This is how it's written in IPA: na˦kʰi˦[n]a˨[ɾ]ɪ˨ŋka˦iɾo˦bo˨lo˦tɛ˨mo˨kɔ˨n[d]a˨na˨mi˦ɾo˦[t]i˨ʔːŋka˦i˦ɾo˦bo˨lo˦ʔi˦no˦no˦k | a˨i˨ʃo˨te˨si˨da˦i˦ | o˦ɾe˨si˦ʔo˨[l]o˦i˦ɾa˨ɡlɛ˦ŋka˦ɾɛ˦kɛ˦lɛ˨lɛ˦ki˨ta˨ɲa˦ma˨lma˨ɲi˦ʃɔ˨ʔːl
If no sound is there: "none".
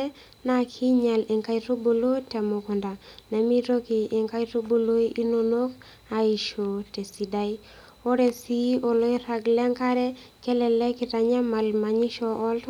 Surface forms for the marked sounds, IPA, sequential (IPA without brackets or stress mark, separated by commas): ɲ, l, d, k, l